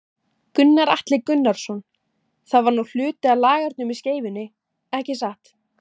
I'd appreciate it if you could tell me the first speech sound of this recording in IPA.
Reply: k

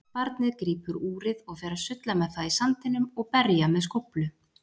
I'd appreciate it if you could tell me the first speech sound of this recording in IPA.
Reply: p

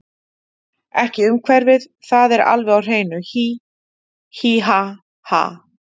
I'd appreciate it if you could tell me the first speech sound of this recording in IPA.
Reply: ɛ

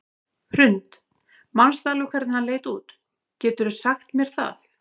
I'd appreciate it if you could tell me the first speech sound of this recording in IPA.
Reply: h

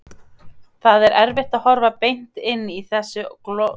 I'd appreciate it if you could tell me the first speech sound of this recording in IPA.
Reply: θ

